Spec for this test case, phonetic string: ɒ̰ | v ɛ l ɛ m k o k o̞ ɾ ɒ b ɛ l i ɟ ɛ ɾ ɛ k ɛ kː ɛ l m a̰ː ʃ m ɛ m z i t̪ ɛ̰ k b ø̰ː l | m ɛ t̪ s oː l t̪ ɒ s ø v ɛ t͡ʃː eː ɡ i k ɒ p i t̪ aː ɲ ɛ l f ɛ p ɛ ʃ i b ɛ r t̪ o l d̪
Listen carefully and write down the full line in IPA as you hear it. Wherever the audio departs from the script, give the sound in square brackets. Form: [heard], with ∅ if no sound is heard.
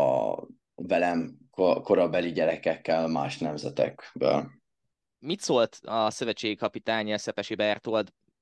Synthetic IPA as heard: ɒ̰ | v ɛ l ɛ m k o k o̞ ɾ ɒ b ɛ l i ɟ ɛ ɾ ɛ k ɛ kː ɛ l m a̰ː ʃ [n] ɛ m z [ɛ] t̪ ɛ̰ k b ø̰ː l | m [i] t̪ s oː l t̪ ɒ s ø v ɛ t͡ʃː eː ɡ i k ɒ p i t̪ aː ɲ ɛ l [s] ɛ p ɛ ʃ i b ɛ r t̪ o l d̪